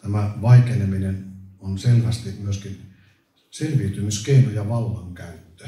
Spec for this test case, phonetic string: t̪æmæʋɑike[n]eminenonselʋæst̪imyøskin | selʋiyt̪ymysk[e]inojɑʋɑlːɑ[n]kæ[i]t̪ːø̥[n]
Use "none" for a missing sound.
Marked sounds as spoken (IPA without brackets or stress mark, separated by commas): n, e, ŋ, y, none